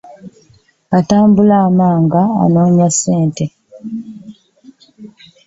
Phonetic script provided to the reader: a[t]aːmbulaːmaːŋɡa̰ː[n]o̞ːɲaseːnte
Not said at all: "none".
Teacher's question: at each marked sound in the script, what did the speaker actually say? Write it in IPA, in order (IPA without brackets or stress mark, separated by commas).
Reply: t, n